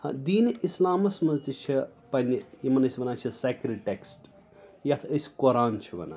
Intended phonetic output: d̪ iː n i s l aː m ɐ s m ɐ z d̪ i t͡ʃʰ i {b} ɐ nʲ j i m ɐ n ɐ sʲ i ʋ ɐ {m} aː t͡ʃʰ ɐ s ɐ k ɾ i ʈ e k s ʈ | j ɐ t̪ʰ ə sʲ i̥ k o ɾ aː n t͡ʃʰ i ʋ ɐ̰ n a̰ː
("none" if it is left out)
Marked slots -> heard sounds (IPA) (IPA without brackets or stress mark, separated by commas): p, n